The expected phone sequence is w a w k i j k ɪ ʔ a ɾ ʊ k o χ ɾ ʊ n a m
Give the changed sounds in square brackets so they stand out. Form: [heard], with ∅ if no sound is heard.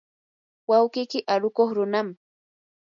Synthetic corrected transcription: w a w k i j k ɪ ʔ a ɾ ʊ k o χ ɾ ʊ n a m